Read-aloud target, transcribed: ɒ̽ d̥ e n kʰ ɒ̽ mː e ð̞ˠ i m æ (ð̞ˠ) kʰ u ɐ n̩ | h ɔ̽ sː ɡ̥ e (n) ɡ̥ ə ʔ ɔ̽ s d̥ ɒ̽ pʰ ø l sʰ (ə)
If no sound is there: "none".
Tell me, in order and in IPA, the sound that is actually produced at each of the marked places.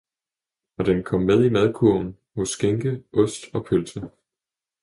ð̞ˠ, ŋ, ə

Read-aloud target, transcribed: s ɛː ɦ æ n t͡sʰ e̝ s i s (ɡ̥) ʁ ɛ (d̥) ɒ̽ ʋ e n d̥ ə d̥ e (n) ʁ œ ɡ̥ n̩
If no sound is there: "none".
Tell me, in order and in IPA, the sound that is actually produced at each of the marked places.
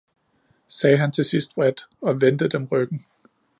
d̥, d̥, m

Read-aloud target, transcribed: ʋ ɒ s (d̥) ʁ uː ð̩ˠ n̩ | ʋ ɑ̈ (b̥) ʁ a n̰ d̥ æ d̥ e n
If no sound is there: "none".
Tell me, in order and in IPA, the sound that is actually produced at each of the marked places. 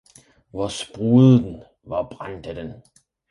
b̥, b̥

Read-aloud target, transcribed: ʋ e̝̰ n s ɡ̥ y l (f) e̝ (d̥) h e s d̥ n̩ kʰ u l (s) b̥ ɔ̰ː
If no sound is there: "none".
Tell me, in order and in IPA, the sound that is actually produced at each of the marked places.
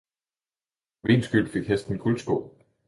f, ɡ̥, s

